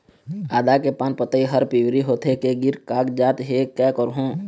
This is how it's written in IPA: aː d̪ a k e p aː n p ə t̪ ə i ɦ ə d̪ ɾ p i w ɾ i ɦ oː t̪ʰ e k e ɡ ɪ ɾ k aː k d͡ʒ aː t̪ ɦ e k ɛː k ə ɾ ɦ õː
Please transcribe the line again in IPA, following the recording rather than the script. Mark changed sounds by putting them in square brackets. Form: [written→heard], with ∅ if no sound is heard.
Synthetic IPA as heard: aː d̪ a k e p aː n p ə t̪ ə i ɦ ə [d̪→∅] ɾ p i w ɾ i ɦ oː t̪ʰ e k e ɡ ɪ ɾ k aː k d͡ʒ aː t̪ ɦ e k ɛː k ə ɾ ɦ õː